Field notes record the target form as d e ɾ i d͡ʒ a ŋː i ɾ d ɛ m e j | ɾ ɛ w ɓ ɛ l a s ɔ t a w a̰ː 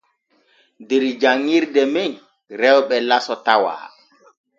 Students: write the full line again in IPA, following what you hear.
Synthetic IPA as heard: d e ɾ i d͡ʒ a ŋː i ɾ d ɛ m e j | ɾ ɛ w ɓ ɛ l a s ɔ t a w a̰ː